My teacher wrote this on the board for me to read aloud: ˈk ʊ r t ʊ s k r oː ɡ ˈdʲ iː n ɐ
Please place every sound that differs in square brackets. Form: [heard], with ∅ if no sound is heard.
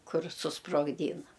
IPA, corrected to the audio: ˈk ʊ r [s] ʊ s [p] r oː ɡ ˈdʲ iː n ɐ